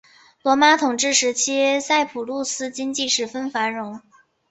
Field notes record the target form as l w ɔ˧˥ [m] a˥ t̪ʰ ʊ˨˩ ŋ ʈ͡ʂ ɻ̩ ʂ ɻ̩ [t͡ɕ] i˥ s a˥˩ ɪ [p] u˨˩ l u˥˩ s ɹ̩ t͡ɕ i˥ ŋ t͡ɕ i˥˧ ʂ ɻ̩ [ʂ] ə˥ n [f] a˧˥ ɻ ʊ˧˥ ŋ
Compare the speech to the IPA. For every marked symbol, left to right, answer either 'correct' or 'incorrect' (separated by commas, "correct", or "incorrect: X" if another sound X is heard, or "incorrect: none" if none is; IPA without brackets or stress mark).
correct, incorrect: t͡ɕʰ, incorrect: pʰ, incorrect: f, correct